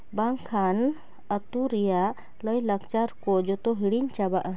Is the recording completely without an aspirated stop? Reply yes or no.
no